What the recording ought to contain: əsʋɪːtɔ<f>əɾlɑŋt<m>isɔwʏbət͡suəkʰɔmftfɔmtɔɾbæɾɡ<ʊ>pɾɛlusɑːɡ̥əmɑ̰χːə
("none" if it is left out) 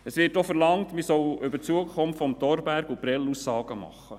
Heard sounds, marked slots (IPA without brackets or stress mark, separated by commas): f, m, u